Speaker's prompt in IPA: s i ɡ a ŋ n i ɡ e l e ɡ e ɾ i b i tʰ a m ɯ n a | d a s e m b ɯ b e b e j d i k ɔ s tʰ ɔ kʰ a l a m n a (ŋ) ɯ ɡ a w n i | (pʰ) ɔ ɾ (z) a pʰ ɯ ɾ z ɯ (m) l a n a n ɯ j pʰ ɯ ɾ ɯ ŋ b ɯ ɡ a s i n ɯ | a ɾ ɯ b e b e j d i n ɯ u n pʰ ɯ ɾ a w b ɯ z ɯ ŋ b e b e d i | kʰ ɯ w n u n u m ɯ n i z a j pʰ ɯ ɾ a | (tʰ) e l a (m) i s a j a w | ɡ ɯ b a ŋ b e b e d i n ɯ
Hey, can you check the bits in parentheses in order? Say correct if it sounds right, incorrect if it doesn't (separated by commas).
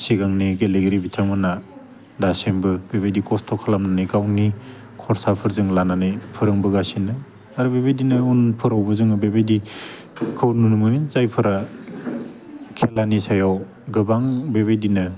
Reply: incorrect, incorrect, incorrect, incorrect, incorrect, incorrect